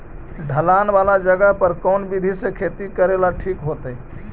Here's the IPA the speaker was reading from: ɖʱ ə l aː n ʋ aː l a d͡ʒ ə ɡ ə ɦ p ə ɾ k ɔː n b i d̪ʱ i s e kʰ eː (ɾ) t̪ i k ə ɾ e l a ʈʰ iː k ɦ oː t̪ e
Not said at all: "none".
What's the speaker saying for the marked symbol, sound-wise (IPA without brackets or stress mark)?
none